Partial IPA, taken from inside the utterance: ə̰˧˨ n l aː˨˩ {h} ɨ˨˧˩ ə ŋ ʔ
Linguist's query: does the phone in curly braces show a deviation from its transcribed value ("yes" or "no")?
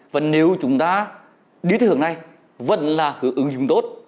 no